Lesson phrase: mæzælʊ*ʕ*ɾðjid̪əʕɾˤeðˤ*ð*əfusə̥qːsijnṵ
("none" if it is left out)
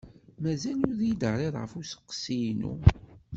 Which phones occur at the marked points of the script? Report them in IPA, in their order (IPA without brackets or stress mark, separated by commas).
none, ʁ